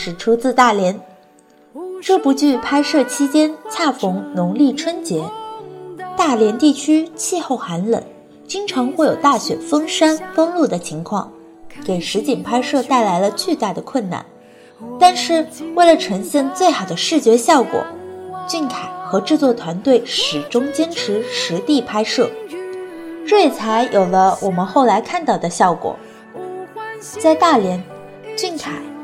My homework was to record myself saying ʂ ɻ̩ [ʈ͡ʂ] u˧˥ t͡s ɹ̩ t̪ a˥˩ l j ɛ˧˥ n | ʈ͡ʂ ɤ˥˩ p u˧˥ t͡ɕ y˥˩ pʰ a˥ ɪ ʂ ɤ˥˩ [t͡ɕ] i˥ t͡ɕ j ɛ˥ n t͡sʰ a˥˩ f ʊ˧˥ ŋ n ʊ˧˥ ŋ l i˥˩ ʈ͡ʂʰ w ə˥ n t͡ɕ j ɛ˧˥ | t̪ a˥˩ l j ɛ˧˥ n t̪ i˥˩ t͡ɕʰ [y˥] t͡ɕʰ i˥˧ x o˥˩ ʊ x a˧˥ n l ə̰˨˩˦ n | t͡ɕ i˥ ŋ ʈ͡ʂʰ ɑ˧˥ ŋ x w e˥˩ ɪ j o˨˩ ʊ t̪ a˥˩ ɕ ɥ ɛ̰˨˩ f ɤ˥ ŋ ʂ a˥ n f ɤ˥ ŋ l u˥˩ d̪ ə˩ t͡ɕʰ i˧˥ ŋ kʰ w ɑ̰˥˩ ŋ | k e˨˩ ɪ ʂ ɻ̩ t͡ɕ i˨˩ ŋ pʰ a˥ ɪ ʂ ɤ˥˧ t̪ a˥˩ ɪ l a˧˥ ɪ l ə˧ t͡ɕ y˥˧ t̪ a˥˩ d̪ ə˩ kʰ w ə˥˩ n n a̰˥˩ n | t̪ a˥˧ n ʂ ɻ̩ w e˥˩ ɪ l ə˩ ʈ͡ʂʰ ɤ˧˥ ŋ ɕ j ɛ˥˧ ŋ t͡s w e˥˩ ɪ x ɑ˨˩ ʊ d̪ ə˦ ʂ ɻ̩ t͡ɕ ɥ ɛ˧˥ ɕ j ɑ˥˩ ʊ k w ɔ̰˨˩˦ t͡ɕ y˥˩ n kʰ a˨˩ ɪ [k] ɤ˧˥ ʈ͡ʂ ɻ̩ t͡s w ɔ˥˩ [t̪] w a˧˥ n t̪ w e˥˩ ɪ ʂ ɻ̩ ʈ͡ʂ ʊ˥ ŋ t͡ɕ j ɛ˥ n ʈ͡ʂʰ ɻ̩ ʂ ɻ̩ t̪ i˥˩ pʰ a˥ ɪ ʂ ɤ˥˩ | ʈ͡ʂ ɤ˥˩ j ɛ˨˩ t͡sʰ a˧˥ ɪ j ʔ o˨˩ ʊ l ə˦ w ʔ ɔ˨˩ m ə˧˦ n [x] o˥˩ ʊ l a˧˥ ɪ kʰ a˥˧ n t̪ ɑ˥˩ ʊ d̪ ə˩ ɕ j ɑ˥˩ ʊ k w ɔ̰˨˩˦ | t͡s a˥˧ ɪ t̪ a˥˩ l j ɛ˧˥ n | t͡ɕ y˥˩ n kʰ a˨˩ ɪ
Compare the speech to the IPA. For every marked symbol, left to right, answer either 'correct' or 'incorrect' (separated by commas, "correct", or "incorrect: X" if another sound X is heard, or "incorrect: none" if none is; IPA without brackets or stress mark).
incorrect: ʈ͡ʂʰ, incorrect: t͡ɕʰ, correct, incorrect: x, incorrect: t̪ʰ, correct